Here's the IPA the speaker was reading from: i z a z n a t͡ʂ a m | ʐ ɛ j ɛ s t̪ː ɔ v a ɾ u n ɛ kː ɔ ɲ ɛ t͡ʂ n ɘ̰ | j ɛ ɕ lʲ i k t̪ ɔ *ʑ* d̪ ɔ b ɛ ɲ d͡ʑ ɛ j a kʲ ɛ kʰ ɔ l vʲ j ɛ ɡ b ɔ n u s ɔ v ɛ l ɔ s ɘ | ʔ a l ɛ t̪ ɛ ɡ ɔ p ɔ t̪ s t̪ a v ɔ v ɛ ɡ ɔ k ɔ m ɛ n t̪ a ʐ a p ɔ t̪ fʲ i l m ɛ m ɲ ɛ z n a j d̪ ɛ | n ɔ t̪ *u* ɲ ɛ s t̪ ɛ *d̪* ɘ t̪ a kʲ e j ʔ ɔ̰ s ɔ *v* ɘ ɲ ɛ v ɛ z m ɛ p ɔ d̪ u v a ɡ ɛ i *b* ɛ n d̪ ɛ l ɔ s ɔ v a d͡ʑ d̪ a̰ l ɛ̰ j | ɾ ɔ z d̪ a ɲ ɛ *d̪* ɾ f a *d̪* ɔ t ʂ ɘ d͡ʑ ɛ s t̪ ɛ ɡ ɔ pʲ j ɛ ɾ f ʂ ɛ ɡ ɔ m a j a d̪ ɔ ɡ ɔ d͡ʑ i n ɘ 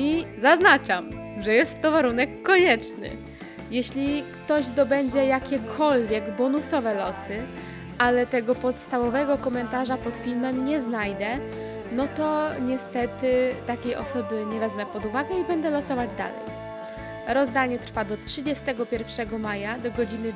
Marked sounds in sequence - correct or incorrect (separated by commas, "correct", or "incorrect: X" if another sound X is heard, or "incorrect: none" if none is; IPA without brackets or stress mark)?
correct, incorrect: ɔ, incorrect: t̪, incorrect: b, correct, incorrect: t̪, correct